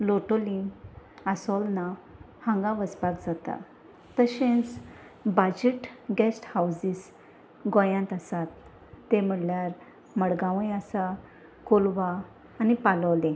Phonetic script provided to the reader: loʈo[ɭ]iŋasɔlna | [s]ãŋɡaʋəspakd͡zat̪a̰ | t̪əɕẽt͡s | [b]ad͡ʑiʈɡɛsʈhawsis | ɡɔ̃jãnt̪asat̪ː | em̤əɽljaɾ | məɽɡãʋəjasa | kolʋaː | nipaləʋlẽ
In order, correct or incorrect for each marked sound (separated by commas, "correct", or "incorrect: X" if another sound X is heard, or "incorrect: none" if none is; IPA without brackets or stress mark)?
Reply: incorrect: l, incorrect: h, correct